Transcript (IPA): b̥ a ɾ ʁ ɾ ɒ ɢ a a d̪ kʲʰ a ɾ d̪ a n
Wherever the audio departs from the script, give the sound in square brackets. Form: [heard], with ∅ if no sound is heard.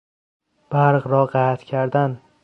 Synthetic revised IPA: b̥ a ɾ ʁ ɾ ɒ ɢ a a [t̪] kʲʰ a ɾ d̪ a n